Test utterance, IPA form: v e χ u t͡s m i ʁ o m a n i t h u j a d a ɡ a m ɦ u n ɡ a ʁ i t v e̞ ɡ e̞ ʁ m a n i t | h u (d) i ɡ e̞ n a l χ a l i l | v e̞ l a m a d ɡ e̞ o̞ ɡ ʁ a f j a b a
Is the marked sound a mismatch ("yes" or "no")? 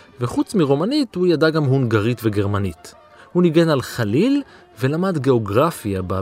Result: yes